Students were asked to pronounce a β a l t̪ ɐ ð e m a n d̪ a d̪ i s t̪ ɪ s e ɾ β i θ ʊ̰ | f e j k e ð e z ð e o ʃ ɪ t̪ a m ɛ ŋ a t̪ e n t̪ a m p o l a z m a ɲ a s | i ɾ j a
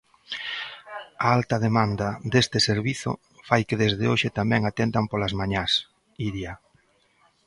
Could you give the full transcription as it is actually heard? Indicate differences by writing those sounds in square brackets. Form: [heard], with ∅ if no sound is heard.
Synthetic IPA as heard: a [∅] a l t̪ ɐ ð e m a n d̪ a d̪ [e] s t̪ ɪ s e ɾ β i θ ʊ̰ | f [a] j k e ð e z ð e o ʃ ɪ t̪ a m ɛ ŋ a t̪ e n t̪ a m p o l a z m a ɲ a s | i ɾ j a